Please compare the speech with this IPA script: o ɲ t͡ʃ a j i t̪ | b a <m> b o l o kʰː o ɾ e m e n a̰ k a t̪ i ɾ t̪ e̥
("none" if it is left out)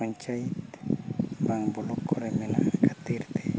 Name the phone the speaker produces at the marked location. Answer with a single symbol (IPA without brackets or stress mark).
ŋ